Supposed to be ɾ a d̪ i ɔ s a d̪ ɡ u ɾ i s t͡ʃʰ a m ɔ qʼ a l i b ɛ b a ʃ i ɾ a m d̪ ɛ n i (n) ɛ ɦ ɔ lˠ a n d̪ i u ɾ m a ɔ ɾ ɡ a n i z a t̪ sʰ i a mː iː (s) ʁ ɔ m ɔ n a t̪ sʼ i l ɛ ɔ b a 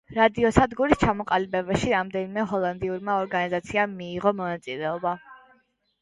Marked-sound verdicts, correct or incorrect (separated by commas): incorrect, incorrect